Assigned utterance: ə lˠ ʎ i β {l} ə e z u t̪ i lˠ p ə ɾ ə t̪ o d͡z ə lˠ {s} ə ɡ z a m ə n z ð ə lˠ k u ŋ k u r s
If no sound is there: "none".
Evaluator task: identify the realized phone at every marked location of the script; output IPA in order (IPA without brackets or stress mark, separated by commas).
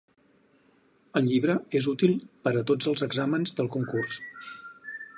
ɾ, z